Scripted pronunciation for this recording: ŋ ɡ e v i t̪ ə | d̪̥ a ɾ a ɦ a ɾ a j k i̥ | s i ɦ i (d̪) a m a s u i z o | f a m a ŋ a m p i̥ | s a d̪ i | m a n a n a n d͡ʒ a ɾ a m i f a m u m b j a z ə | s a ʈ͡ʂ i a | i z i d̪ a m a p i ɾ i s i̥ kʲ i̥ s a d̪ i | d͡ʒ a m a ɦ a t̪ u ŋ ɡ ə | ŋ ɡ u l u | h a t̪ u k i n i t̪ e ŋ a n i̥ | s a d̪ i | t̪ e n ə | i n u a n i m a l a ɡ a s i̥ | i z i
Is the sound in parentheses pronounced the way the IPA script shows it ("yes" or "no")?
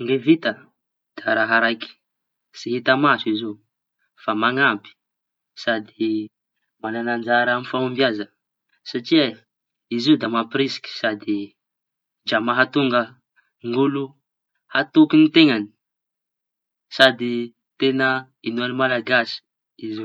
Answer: no